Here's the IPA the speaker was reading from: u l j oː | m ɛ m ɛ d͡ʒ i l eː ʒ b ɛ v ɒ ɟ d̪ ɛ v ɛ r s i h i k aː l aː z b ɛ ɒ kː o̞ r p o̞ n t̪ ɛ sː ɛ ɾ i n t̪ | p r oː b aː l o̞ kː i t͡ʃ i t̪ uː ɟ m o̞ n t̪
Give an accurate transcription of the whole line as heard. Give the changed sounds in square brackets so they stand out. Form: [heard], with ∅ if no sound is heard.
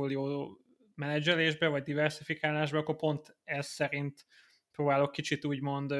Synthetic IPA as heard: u l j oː | m ɛ [n] ɛ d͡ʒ [ɛ] l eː ʒ b ɛ v ɒ ɟ d̪ [i] v ɛ r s i [f] i k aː l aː [ʒ] b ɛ ɒ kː o̞ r p o̞ n t̪ ɛ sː ɛ ɾ i n t̪ | p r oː b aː l o̞ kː i t͡ʃ i t̪ uː ɟ m o̞ n [d̪]